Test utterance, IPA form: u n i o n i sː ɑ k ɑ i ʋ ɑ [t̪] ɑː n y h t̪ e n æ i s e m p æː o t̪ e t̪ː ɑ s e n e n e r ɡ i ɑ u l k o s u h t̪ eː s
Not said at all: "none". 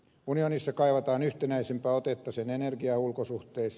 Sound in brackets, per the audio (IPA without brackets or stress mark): t̪